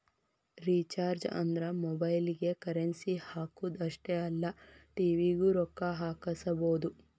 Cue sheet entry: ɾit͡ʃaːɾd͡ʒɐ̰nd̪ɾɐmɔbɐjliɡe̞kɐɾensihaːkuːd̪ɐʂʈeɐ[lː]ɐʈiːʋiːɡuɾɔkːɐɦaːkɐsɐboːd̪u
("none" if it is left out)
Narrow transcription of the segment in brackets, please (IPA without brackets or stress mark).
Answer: lː